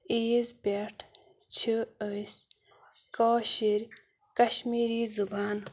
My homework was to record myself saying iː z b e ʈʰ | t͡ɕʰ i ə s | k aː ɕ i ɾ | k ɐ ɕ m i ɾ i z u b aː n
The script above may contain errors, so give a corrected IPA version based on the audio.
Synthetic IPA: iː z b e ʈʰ | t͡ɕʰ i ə s | k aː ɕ i ɾ | k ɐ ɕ m i ɾ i z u b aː n